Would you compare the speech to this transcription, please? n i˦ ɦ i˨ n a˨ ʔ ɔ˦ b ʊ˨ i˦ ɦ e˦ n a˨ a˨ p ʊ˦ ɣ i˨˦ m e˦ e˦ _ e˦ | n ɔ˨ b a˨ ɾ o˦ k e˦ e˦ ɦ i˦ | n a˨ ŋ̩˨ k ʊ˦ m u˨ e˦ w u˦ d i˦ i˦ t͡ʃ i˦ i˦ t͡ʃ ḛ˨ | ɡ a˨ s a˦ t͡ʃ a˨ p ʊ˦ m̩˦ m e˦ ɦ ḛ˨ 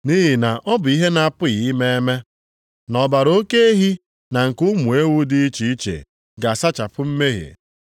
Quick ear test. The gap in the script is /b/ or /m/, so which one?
m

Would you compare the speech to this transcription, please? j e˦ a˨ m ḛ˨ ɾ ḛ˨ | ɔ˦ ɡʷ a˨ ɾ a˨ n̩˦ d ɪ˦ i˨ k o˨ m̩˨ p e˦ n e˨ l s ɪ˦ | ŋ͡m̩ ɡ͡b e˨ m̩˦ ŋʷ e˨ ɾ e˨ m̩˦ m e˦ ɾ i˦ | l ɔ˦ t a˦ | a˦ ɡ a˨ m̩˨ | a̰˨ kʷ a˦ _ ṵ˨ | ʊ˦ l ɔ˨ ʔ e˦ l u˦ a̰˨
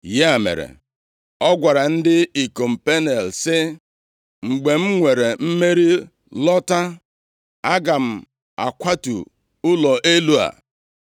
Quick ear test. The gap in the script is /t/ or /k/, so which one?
t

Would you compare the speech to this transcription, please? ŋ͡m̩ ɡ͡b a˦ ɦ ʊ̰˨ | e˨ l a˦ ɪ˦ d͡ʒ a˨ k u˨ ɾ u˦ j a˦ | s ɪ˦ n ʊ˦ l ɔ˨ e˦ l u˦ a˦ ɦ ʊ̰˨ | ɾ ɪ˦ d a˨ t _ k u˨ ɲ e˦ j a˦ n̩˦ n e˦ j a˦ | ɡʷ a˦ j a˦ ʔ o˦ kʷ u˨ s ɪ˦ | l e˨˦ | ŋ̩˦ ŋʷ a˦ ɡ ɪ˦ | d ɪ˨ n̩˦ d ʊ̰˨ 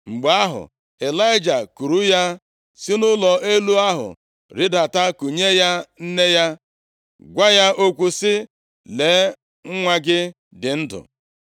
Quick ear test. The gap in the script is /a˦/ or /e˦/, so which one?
a˦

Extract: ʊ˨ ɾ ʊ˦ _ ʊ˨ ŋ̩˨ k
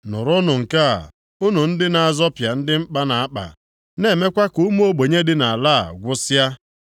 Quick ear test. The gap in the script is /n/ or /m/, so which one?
n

